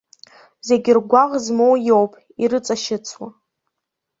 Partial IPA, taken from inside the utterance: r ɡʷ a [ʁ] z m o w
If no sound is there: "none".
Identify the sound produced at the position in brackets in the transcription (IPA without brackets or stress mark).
ʁ